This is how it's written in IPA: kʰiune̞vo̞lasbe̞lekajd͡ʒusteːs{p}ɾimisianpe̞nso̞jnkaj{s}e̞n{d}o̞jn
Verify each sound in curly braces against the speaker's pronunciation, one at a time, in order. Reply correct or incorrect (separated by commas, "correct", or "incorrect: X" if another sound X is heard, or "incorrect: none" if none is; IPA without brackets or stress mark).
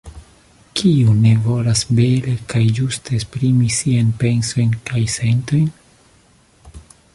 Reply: correct, correct, incorrect: t